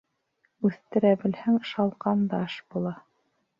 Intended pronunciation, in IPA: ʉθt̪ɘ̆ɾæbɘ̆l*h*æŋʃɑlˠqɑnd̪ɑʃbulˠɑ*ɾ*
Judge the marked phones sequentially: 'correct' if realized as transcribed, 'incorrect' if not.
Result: correct, incorrect

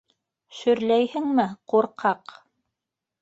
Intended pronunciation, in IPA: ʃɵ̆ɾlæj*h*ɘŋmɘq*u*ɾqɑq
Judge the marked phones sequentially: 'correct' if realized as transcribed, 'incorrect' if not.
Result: correct, correct

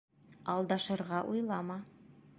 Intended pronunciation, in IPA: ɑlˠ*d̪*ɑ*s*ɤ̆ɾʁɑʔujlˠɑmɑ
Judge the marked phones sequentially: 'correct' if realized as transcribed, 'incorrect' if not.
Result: correct, incorrect

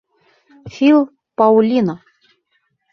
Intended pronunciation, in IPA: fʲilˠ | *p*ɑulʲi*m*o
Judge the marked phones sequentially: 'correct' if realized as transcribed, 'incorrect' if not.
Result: correct, incorrect

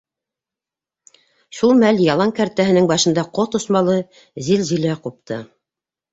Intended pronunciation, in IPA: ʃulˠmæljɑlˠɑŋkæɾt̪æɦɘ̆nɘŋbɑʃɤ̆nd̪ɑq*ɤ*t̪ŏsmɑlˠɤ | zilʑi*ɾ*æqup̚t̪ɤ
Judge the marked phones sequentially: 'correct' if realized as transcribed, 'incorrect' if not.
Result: incorrect, incorrect

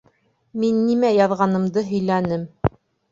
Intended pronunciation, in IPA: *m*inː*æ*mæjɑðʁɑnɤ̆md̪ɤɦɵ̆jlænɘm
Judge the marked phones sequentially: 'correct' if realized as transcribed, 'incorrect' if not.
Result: correct, incorrect

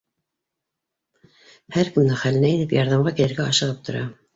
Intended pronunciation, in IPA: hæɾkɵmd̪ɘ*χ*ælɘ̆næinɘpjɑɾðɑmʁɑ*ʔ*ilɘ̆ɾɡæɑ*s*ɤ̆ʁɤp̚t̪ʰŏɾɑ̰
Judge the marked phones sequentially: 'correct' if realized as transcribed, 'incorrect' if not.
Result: correct, incorrect, incorrect

